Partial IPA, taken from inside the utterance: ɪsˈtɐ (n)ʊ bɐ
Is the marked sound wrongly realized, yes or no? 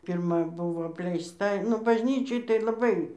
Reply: no